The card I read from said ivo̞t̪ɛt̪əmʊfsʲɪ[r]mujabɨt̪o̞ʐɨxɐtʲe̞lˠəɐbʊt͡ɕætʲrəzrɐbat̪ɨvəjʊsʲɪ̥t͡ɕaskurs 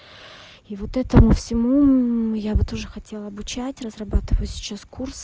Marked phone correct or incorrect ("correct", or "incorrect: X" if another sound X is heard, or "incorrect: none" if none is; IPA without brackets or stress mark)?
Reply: incorrect: none